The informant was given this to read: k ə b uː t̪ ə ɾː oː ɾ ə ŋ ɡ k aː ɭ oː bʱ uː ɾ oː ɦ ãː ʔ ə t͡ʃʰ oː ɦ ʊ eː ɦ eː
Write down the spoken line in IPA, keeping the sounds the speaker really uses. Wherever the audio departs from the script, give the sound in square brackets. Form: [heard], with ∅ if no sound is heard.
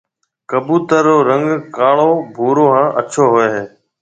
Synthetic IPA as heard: k ə b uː t̪ ə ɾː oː ɾ ə ŋ ɡ k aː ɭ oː bʱ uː ɾ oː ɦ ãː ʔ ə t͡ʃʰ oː ɦ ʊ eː ɦ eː